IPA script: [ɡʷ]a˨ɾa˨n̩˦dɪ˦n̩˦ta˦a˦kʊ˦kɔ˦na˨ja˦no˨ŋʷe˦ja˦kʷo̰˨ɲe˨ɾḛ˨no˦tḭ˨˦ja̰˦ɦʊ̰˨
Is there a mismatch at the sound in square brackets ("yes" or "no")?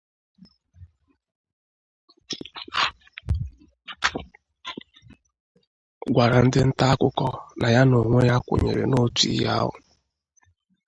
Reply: no